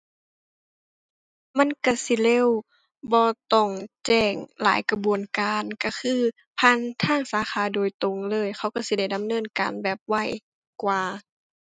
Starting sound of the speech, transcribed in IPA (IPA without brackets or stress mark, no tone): m